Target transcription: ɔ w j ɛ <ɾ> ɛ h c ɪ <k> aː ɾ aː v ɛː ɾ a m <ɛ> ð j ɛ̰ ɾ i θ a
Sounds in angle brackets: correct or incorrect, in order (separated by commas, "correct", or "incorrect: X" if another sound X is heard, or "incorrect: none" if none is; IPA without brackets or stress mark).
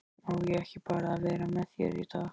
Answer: incorrect: none, incorrect: p, correct